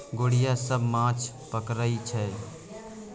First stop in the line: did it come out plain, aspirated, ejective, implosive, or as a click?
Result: plain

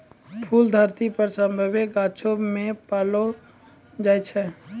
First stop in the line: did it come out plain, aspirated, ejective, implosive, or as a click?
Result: aspirated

